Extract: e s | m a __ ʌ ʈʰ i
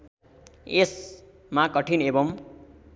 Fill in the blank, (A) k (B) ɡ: A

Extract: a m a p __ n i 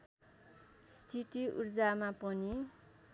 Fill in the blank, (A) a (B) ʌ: B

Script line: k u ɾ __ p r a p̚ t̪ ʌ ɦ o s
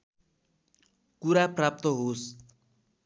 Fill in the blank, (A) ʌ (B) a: B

